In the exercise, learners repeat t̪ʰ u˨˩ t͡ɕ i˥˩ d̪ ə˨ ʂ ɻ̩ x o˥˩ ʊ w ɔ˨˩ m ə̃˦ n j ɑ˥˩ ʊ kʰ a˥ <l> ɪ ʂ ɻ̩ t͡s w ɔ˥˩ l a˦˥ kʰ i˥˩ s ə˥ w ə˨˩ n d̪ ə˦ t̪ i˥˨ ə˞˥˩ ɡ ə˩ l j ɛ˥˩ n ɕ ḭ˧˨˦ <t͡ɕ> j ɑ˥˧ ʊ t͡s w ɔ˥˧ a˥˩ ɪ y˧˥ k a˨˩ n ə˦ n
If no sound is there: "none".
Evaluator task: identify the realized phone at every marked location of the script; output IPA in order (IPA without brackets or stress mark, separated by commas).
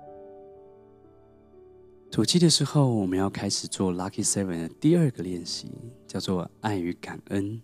none, t͡ɕ